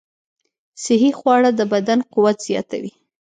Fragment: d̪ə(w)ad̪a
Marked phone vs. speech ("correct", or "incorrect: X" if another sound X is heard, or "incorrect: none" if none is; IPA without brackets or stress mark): incorrect: b